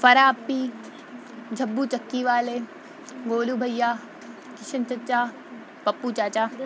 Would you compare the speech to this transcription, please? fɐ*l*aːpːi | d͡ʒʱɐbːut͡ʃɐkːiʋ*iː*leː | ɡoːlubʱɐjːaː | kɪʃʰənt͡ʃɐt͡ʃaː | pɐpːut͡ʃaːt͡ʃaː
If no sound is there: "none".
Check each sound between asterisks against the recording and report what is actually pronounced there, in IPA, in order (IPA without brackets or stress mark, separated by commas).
ɾ, aː